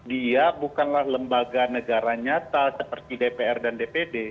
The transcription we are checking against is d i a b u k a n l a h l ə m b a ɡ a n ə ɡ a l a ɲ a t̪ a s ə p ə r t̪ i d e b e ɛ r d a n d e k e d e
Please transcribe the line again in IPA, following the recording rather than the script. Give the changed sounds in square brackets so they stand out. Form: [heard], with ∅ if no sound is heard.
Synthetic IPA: d i a b u k a n l a h l ə m b a ɡ a n ə ɡ a [ɾ] a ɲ a t̪ a s ə p ə r t̪ i d e [p] e ɛ r d a n d e [p] e d e

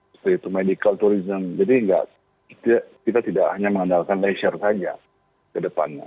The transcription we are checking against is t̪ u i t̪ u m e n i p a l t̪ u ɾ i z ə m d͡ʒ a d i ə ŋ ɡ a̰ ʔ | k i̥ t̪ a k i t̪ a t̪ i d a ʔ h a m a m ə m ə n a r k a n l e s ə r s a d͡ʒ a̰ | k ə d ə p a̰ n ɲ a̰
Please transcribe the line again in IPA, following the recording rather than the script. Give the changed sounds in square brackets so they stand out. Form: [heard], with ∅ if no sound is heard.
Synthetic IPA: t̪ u i t̪ u m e [d] i [k] a l t̪ u ɾ i z ə m d͡ʒ a d i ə ŋ ɡ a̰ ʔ | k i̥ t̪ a k i t̪ a t̪ i d a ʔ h a [ɲ] a m ə [ŋ] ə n a [l] k a n l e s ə r s a d͡ʒ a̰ | k ə d ə p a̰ n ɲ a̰

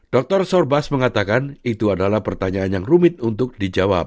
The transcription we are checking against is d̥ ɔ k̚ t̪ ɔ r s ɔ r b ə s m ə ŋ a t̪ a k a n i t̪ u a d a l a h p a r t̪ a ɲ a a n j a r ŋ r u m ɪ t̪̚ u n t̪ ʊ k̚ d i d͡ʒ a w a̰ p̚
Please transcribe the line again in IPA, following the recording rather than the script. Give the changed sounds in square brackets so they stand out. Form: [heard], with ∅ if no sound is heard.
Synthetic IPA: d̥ ɔ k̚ t̪ ɔ r s ɔ r b [a] s m ə ŋ a t̪ a k a n i t̪ u a d a l a h p [ə] r t̪ a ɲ a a n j a [∅] ŋ r u m ɪ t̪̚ u n t̪ ʊ k̚ d i d͡ʒ a w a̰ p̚

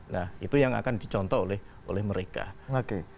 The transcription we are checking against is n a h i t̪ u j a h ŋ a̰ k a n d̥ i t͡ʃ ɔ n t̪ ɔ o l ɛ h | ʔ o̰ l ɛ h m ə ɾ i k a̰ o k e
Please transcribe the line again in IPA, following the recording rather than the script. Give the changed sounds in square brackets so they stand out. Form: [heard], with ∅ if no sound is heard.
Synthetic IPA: n a h i t̪ u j a [∅] ŋ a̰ k a n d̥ i t͡ʃ ɔ n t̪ ɔ o l ɛ h | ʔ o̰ l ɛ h m ə ɾ [e] k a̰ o k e

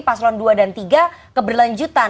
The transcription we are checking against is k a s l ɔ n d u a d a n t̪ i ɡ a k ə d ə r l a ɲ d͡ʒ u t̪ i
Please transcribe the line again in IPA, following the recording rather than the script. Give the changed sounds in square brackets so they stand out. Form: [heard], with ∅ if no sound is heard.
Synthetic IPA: [p] a s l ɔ n d u a d a n t̪ i ɡ a k ə [b] ə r l a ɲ d͡ʒ u t̪ [a]

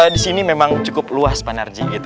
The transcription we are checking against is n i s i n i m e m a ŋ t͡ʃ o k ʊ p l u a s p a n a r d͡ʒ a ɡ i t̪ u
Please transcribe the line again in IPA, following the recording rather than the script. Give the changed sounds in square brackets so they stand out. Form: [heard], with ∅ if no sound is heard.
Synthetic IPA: [d] i s i n i m e m a ŋ t͡ʃ [u] k ʊ p l u a s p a n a r d͡ʒ [i] ɡ i t̪ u

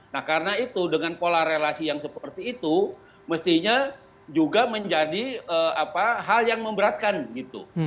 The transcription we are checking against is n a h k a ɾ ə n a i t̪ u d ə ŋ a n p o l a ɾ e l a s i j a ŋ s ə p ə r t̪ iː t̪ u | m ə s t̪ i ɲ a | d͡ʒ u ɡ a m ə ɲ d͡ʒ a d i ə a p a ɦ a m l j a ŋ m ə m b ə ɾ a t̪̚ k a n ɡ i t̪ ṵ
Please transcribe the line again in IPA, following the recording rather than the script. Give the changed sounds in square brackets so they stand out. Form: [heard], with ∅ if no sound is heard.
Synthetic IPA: n a h k a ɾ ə n a i t̪ u d ə ŋ a n p o l a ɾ e l a s i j a ŋ s ə p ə r t̪ iː t̪ u | m ə s t̪ i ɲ a | d͡ʒ u ɡ a m ə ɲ d͡ʒ a d i ə a p a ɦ a [∅] l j a ŋ m ə m b ə ɾ a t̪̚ k a n ɡ i t̪ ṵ

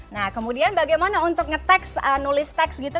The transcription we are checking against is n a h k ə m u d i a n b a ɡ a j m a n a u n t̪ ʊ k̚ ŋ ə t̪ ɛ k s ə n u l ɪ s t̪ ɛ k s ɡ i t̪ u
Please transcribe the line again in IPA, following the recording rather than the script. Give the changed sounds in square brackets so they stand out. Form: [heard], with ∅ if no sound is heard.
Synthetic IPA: n a h k ə m u d i a n b a ɡ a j m a n a u n t̪ ʊ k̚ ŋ ə t̪ ɛ k s ə n u l ɪ s t̪ ɛ k s ɡ i t̪ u

